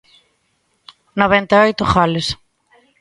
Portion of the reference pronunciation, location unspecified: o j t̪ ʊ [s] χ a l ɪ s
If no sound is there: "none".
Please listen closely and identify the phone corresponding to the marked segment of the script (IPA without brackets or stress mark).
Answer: none